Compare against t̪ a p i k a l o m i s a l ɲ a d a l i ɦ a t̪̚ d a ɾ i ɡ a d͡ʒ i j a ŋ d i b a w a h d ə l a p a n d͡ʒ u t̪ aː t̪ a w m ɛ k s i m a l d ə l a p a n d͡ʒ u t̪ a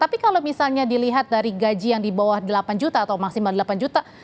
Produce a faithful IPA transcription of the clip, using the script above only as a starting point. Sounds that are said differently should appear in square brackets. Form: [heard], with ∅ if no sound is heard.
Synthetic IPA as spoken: t̪ a p i k a l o m i s a l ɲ a d [i] l i ɦ a t̪̚ d a ɾ i ɡ a d͡ʒ i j a ŋ d i b a w a h d ə l a p a n d͡ʒ u t̪ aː t̪ a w m [a] k s i m a l d ə l a p a n d͡ʒ u t̪ a

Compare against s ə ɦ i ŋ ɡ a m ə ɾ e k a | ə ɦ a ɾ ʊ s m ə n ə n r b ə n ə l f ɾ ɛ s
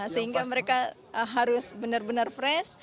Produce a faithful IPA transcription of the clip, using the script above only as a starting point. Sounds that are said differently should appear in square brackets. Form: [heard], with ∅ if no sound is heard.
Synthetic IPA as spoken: s ə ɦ i ŋ ɡ a m ə ɾ e k a | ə ɦ a ɾ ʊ s [b] ə n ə [∅] r b ə n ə [r] f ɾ ɛ s

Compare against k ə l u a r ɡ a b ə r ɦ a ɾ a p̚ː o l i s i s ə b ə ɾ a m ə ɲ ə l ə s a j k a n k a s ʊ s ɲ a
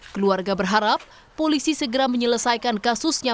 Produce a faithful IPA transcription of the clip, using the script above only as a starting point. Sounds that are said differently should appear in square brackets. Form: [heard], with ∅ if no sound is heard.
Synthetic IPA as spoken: k ə l u a r ɡ a b ə r ɦ a ɾ a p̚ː o l i s i s ə [ɡ] ə ɾ a m ə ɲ ə l ə s a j k a n k a s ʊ s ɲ a

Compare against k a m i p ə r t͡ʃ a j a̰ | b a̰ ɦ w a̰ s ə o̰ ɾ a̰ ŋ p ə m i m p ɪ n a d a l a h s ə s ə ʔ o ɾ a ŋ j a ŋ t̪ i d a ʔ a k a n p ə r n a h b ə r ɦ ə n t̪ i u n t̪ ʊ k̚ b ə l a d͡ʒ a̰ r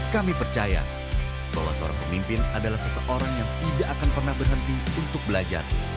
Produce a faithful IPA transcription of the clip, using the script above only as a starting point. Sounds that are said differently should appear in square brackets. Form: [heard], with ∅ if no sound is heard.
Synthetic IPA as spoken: k a m i p ə r t͡ʃ a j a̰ | b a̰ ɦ w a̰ s ə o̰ ɾ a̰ ŋ p ə m i m p ɪ n a d a l a h s ə s ə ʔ o ɾ a ŋ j a ŋ t̪ i d a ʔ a k a n p ə r n a h b ə r ɦ ə n t̪ i u n t̪ ʊ k̚ b ə l a d͡ʒ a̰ r

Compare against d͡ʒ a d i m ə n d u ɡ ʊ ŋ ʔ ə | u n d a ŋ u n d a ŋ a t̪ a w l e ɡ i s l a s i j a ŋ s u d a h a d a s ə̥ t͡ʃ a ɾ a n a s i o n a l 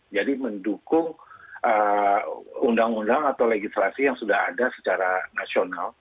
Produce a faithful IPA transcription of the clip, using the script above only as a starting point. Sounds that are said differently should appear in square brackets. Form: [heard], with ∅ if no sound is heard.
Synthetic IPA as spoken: d͡ʒ a d i m ə n d u [k] ʊ ŋ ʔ ə | u n d a ŋ u n d a ŋ a t̪ a w l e ɡ i s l a s i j a ŋ s u d a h a d a s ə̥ t͡ʃ a ɾ a n a s i o n a l

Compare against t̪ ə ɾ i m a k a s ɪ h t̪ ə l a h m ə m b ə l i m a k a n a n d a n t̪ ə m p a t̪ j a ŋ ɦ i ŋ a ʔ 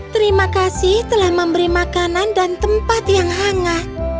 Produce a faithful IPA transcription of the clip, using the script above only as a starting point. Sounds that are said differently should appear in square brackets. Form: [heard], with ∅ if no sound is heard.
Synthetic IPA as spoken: t̪ ə ɾ i m a k a s ɪ h t̪ ə l a h m ə m b ə [ɾ] i m a k a n a n d a n t̪ ə m p a t̪ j a ŋ ɦ [a] ŋ a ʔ

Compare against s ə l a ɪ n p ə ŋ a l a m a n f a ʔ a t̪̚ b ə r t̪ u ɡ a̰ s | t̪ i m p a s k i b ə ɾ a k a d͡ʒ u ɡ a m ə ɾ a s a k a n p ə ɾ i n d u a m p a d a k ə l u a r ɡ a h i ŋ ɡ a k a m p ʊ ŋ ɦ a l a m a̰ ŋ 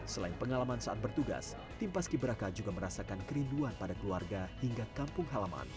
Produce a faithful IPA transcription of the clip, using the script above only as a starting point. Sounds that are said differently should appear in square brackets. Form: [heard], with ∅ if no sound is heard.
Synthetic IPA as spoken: s ə l a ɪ n p ə ŋ a l a m a n [s] a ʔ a t̪̚ b ə r t̪ u ɡ a̰ s | t̪ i m p a s k i b ə ɾ a k a d͡ʒ u ɡ a m ə ɾ a s a k a n [k] ə ɾ i n d u a [n] p a d a k ə l u a r ɡ a h i ŋ ɡ a k a m p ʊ ŋ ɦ a l a m a̰ [n]

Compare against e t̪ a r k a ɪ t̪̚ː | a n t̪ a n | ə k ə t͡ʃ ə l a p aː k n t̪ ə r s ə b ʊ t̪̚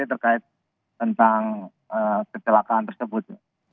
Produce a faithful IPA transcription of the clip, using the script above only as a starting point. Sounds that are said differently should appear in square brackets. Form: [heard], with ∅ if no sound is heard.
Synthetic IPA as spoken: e t̪ [ə] r k a ɪ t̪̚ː | [ə] n t̪ a [ŋ] | ə k ə t͡ʃ ə l a [k] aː [∅] n t̪ ə r s ə b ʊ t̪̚

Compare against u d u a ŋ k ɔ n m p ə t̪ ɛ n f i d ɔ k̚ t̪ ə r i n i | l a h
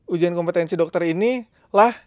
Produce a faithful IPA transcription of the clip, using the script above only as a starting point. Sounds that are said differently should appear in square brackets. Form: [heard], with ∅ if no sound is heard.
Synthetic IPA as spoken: u [d͡ʒ] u a [n] k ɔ [∅] m p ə t̪ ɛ n [s] i d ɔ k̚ t̪ ə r i n i | l a h

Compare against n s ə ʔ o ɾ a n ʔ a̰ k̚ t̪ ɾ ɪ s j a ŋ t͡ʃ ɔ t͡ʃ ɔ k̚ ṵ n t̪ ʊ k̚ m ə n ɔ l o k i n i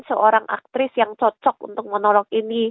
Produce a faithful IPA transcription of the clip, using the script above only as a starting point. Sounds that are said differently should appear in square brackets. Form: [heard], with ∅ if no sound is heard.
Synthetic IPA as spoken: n s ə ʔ o ɾ a [ŋ] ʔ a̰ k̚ t̪ ɾ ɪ s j a ŋ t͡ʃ ɔ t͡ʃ ɔ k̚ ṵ n t̪ ʊ k̚ m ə n ɔ l [ɔ] k i n i

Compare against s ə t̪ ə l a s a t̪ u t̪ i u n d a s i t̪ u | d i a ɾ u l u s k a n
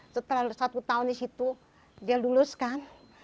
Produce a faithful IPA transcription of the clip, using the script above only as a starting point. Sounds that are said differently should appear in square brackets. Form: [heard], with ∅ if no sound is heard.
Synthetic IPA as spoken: s ə t̪ ə l a s a t̪ u t̪ [a] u n d [i] s i t̪ u | d i a [l] u l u s k a n

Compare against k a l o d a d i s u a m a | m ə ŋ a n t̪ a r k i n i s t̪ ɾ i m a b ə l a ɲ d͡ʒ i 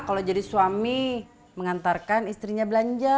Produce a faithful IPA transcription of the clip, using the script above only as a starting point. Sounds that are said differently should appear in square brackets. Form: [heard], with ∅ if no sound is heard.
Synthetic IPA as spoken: k a l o [d͡ʒ] a d i s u a m [i] | m ə ŋ a n t̪ a r k [a] n i s t̪ ɾ i [ɲ] a b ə l a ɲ d͡ʒ [a]

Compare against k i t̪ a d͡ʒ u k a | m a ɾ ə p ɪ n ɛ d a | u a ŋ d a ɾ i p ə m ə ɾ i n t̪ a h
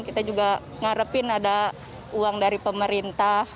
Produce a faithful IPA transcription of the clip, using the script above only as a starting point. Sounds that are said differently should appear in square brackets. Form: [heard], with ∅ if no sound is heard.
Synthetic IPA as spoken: k i t̪ a d͡ʒ u [ɡ] a | [ŋ] a ɾ ə p ɪ n [a] d a | u a ŋ d a ɾ i p ə m ə ɾ i n t̪ a h

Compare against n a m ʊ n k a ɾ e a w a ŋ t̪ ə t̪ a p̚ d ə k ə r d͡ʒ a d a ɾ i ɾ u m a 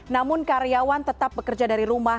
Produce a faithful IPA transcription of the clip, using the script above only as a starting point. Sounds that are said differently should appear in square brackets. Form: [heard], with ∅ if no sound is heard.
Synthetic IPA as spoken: n a m ʊ n k a ɾ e a w a [n] t̪ ə t̪ a p̚ [b] ə k ə r d͡ʒ a d a ɾ i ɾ u m a

